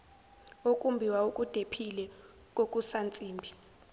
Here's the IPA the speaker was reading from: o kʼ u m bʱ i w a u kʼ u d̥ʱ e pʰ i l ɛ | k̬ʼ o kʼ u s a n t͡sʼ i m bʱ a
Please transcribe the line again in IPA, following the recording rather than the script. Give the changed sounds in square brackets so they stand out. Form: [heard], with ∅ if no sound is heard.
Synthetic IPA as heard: o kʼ u m bʱ i w a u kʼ u d̥ʱ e pʰ i l ɛ | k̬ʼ o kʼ u s a n t͡sʼ [iː] m bʱ [i]